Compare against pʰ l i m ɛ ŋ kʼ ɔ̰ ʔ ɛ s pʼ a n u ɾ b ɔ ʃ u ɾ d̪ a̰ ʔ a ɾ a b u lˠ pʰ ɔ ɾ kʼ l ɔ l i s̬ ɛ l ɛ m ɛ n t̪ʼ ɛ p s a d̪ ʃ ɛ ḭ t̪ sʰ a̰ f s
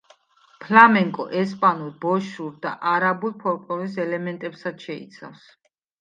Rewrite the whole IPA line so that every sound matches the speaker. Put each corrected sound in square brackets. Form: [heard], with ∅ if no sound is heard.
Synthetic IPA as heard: pʰ l [a] m ɛ ŋ kʼ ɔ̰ ʔ ɛ s pʼ a n u ɾ b ɔ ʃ u ɾ d̪ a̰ ʔ a ɾ a b u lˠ pʰ ɔ ɾ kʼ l ɔ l i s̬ ɛ l ɛ m ɛ n t̪ʼ ɛ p s a d̪ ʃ ɛ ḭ t̪ sʰ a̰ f s